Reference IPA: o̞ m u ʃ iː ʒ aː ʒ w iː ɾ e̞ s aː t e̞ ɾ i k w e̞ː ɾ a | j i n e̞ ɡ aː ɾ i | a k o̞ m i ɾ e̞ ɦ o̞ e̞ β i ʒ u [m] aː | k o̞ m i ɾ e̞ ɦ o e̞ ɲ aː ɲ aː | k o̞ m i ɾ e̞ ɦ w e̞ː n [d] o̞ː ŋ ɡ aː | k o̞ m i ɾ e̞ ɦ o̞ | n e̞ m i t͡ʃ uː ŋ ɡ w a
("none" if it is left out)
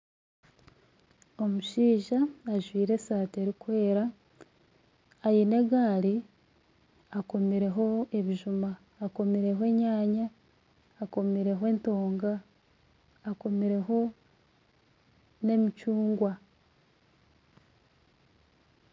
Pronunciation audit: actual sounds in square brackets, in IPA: m, t

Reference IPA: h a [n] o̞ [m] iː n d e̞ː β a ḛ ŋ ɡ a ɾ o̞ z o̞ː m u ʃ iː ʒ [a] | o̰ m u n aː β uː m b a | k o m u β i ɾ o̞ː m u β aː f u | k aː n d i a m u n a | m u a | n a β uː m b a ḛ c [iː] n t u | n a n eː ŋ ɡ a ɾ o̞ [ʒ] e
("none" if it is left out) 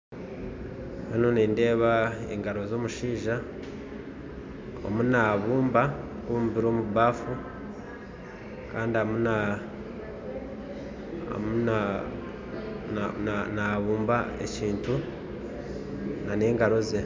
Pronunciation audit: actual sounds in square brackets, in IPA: n, n, a, iː, z

